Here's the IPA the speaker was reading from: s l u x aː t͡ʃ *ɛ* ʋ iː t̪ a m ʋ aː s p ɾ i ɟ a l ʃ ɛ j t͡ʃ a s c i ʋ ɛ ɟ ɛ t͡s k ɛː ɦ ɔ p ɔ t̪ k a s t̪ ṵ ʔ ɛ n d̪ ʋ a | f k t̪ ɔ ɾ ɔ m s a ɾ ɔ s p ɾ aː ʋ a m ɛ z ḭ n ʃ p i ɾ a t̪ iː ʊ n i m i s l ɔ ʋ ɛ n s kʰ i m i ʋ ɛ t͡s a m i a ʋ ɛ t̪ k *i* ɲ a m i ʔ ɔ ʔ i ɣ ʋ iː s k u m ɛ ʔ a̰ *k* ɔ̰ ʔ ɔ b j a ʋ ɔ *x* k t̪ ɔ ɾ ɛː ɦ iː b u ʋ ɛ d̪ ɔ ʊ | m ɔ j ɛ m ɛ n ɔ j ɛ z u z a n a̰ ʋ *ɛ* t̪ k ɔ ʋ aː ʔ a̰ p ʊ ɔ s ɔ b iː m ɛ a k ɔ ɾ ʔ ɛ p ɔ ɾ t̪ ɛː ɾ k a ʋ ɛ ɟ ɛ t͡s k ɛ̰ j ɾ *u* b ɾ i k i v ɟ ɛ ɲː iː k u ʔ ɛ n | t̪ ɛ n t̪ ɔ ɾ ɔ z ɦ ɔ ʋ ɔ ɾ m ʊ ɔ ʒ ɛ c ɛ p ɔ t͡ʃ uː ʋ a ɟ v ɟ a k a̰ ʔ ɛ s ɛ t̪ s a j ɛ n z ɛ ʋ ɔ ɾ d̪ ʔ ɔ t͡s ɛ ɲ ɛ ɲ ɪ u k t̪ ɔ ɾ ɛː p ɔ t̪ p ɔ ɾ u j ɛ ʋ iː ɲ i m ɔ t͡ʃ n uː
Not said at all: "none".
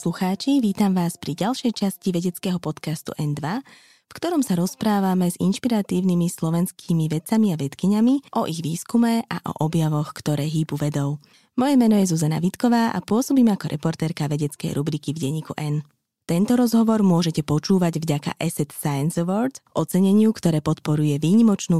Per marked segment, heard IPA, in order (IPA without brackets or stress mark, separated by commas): i, i, ʔ, x, i, u